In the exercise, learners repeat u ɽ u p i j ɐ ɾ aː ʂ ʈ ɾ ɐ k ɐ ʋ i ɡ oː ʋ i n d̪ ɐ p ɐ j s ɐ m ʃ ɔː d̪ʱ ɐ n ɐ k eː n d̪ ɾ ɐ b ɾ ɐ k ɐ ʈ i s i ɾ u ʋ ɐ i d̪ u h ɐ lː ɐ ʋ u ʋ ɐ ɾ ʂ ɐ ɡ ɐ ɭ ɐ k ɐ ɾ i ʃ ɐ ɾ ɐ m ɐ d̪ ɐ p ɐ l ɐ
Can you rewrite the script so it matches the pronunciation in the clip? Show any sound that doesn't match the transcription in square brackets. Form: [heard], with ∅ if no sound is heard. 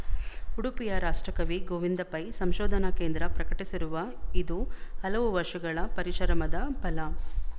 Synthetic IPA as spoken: u ɽ u p i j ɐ ɾ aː ʂ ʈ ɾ ɐ k ɐ ʋ i ɡ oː ʋ i n d̪ ɐ p ɐ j s ɐ m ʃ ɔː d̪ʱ ɐ n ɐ k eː n d̪ ɾ ɐ [p] ɾ ɐ k ɐ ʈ i s i ɾ u ʋ ɐ i d̪ u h ɐ [l] ɐ ʋ u ʋ ɐ ɾ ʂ ɐ ɡ ɐ ɭ ɐ [p] ɐ ɾ i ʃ ɐ ɾ ɐ m ɐ d̪ ɐ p ɐ l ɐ